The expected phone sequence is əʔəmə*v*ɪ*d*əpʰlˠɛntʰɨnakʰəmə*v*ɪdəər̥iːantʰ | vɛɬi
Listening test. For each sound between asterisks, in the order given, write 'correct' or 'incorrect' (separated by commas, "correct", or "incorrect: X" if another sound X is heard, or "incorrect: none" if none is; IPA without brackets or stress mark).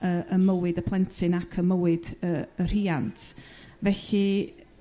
incorrect: w, correct, incorrect: w